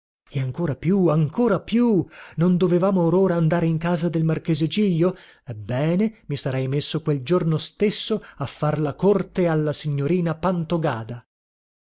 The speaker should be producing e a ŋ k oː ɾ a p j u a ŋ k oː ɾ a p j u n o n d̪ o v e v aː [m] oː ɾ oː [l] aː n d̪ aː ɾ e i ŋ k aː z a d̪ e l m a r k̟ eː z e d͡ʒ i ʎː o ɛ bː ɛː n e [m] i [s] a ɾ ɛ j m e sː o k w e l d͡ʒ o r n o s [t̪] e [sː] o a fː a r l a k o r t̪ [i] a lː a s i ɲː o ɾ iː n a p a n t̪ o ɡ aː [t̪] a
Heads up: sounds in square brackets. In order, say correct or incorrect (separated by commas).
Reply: correct, incorrect, correct, correct, correct, correct, incorrect, incorrect